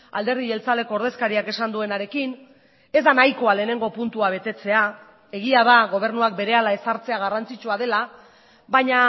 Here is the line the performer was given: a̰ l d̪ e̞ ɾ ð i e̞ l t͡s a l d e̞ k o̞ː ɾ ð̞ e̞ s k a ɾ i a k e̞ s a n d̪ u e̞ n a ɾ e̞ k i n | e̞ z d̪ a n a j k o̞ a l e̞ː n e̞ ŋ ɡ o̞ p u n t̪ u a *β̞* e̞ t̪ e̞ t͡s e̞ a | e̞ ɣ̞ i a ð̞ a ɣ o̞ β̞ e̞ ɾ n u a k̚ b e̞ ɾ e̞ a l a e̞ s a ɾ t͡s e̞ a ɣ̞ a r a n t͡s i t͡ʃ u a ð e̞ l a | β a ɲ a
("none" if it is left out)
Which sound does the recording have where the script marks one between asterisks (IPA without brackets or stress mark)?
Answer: β̞